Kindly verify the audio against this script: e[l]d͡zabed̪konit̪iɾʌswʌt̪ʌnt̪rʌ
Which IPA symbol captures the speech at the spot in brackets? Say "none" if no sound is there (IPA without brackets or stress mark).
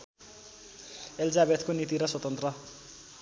l